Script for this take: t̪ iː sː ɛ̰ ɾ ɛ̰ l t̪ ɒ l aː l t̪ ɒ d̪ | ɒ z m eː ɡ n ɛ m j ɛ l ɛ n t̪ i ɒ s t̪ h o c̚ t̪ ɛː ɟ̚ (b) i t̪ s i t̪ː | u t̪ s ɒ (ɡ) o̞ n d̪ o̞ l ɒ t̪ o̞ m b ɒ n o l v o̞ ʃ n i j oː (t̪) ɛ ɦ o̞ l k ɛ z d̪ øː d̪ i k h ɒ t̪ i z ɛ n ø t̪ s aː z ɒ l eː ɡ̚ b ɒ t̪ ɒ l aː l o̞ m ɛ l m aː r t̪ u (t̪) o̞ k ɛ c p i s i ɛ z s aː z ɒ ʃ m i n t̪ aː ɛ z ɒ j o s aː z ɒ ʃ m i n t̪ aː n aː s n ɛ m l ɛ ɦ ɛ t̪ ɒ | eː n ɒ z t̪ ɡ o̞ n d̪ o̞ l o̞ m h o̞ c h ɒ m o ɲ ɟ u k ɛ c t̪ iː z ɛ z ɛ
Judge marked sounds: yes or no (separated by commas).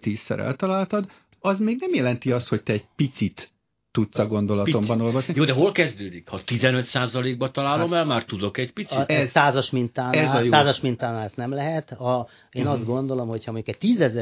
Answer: no, yes, no, no